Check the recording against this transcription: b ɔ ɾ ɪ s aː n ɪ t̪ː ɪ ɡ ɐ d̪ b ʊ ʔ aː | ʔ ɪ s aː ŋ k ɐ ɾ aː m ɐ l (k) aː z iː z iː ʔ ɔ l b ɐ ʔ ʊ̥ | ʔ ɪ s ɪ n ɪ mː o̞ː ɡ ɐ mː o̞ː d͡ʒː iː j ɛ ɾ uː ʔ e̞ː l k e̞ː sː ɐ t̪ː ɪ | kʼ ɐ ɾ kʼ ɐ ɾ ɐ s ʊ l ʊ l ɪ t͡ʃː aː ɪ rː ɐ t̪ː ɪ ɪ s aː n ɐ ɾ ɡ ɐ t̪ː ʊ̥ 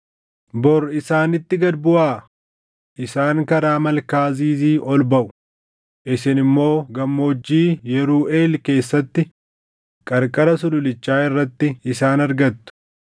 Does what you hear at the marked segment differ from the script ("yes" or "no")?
no